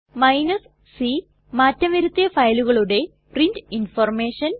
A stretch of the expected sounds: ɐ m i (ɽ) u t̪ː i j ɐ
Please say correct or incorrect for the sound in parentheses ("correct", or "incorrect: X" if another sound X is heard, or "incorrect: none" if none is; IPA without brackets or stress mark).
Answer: incorrect: ɾ